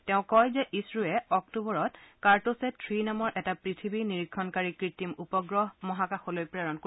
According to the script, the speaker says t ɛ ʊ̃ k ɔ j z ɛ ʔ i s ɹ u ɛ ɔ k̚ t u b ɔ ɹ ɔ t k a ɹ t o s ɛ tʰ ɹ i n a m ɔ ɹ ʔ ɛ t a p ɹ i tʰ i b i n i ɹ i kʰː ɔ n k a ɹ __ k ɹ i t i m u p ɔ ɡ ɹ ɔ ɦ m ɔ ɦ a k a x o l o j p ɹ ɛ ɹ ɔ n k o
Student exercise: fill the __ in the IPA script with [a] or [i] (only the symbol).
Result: i